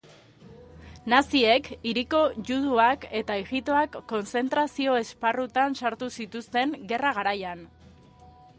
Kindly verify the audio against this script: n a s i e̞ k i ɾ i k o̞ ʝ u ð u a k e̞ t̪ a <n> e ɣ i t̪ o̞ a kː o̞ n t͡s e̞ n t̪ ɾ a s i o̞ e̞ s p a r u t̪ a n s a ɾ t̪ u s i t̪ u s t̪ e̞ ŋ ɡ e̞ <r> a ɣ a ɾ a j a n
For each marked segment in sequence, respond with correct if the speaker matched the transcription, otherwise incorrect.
incorrect, correct

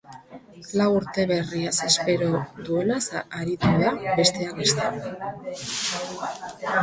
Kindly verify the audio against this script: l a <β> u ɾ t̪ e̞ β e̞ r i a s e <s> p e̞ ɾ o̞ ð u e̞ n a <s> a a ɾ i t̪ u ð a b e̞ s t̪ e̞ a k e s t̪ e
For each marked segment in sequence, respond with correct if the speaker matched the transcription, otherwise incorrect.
incorrect, correct, correct

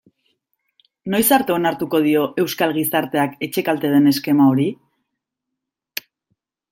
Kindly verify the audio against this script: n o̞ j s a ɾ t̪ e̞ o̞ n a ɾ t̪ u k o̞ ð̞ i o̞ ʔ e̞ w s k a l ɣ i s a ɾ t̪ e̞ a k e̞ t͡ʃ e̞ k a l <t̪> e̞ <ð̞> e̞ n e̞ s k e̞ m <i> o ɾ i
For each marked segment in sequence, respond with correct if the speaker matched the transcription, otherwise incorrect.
correct, correct, incorrect

